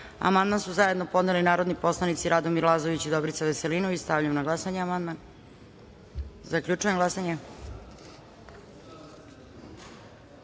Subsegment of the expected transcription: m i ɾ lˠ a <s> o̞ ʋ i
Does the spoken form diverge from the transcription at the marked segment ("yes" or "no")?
yes